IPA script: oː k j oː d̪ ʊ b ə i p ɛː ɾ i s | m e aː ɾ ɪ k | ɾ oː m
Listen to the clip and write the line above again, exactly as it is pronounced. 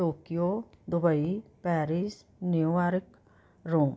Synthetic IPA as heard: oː k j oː d̪ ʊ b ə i p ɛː ɾ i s | n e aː ɾ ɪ k | ɾ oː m